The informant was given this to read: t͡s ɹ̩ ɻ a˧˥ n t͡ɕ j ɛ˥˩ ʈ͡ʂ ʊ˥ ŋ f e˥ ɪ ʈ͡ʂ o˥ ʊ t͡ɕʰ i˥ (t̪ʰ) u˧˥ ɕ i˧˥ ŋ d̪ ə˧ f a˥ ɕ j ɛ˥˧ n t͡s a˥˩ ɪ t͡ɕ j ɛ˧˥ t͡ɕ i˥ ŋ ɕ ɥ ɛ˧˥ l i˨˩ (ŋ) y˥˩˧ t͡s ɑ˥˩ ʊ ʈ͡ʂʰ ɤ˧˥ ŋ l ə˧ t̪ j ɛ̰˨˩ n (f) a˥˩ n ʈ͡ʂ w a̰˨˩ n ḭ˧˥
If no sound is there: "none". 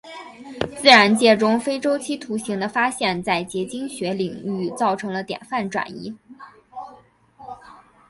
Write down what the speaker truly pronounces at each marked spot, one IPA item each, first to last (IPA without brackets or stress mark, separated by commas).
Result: t̪ʰ, ŋ, f